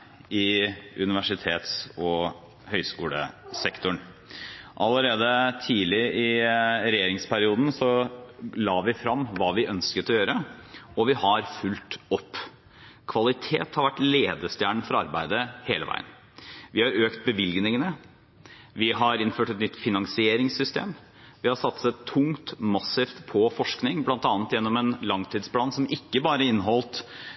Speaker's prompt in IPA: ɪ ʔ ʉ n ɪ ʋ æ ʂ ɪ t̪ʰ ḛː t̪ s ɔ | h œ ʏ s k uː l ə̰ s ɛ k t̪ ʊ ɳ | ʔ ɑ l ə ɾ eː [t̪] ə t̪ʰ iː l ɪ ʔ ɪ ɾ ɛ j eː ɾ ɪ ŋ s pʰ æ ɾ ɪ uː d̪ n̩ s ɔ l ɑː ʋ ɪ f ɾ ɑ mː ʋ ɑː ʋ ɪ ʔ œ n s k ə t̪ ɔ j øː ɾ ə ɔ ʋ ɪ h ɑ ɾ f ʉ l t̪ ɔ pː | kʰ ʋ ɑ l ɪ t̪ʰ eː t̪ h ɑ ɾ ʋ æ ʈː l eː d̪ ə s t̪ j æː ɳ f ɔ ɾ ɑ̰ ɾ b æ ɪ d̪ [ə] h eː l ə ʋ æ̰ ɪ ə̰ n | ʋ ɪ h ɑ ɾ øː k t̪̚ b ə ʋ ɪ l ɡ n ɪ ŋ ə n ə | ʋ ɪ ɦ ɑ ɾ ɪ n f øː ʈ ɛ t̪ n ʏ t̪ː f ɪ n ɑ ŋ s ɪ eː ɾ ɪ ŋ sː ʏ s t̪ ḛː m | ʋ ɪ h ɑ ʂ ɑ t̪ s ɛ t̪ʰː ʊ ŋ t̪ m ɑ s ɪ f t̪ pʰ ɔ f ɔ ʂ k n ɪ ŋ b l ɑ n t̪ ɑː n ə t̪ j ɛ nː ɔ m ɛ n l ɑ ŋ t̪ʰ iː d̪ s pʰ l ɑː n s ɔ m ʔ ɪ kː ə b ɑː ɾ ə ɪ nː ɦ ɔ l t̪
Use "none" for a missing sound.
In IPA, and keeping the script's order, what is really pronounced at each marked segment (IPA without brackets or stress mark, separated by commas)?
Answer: d̪, ə